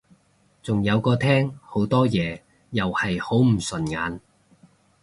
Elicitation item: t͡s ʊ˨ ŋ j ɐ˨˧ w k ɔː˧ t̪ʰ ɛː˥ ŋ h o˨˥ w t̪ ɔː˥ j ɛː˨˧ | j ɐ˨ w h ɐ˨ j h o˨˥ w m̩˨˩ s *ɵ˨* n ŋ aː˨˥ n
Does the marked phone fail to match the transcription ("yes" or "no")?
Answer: no